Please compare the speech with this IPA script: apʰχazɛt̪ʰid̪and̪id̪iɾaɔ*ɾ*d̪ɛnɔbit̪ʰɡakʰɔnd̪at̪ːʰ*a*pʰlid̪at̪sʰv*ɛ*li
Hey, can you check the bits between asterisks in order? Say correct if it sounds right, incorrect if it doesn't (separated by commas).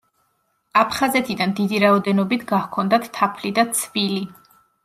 incorrect, correct, incorrect